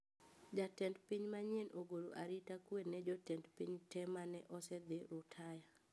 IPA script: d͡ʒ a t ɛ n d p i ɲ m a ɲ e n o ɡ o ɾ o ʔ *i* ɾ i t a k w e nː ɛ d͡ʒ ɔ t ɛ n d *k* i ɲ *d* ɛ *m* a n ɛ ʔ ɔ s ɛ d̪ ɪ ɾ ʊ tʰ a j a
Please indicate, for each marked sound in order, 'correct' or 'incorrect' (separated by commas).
incorrect, incorrect, incorrect, correct